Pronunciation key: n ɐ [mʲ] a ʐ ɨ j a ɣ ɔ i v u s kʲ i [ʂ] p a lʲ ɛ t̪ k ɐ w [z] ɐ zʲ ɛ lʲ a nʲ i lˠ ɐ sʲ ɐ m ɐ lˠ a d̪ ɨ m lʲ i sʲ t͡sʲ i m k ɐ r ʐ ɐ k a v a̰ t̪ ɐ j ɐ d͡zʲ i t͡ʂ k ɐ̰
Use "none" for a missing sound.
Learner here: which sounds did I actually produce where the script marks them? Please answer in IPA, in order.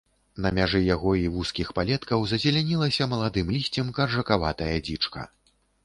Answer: mʲ, x, z

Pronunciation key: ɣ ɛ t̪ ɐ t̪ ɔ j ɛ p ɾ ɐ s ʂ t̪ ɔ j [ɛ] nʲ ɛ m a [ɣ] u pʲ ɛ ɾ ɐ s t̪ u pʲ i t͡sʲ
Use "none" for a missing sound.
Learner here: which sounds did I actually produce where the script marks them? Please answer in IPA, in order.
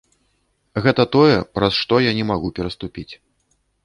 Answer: a, ɣ

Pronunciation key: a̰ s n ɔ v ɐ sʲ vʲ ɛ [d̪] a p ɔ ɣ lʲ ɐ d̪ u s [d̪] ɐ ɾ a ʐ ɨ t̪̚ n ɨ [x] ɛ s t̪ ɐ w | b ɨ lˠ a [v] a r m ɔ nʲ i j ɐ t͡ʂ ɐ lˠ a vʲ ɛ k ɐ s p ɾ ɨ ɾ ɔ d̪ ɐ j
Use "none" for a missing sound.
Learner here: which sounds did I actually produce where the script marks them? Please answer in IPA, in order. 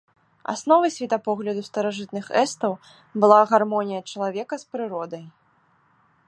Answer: t̪, t̪, x, ɣ

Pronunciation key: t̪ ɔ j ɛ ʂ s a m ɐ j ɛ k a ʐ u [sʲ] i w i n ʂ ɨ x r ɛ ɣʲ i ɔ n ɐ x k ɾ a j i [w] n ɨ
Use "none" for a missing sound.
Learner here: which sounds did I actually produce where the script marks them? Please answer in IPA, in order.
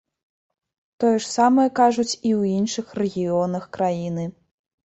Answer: t͡sʲ, none

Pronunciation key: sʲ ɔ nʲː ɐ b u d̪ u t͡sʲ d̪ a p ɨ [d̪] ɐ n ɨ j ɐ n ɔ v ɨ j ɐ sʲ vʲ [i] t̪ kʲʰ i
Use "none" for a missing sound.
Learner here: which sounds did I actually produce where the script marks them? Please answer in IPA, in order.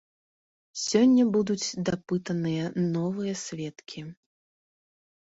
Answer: t̪, ɛ

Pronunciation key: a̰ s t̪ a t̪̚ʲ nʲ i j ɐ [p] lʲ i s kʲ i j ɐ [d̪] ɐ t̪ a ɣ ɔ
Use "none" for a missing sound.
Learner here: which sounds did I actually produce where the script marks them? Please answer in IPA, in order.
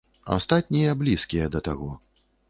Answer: b, d̪

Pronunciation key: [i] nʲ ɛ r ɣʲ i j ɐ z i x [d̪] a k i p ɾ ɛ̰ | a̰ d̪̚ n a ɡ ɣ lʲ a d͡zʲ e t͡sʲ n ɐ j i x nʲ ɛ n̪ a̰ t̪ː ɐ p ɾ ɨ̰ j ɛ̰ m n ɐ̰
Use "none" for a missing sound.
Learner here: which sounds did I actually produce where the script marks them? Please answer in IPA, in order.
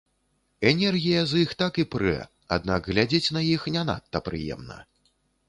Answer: ɛ, t̪

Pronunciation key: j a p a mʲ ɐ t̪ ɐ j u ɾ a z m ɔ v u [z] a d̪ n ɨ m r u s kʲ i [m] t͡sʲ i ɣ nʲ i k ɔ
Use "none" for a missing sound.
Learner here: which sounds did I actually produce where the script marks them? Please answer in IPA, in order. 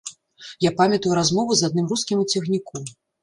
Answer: z, m

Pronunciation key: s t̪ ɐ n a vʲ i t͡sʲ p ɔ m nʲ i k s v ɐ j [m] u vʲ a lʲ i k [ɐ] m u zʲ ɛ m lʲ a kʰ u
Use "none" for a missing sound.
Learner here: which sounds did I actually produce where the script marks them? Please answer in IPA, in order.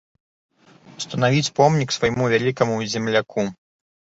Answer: m, ɐ

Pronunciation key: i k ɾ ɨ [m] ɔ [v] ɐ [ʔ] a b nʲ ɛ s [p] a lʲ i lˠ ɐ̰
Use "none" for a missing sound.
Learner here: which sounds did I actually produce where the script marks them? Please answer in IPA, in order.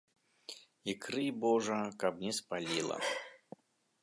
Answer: b, ʐ, k, p

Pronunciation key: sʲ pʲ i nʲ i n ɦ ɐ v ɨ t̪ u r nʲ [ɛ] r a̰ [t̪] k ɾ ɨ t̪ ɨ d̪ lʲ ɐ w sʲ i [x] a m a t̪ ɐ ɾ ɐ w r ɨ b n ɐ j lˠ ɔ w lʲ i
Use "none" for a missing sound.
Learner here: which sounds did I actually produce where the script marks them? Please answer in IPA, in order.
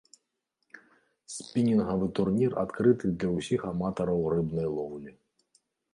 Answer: i, t̪, x

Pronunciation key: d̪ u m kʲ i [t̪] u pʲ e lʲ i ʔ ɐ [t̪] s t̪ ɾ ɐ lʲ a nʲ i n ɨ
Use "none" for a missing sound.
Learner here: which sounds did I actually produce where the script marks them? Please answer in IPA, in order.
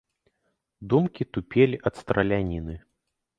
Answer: t̪, t̪

